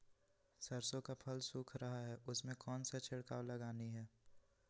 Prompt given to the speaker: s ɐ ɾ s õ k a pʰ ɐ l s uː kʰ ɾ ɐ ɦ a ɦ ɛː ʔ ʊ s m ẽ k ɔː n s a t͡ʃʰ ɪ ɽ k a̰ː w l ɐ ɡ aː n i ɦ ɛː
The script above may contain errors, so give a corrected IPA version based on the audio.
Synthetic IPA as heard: s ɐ ɾ s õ k a pʰ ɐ l s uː kʰ ɾ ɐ ɦ a ɦ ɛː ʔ ʊ s m ẽ k ɔː n s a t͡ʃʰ ɪ ɽ k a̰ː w l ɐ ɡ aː n i ɦ ɛː